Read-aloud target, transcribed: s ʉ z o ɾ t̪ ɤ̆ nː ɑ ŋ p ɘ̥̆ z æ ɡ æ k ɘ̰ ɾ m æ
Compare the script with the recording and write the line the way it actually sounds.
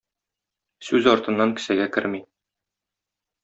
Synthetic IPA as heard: s ʉ z ɒ ɾ t̪ ɤ̆ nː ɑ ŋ k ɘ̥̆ s æ ɡ æ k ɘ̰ ɾ m i